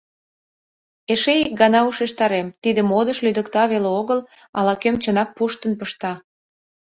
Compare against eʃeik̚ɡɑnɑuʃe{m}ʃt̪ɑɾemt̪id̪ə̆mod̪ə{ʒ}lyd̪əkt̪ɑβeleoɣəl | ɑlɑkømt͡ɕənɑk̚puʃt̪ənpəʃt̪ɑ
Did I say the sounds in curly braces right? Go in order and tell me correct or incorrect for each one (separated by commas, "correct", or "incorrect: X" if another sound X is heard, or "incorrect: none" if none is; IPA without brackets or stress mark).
incorrect: none, incorrect: ʃ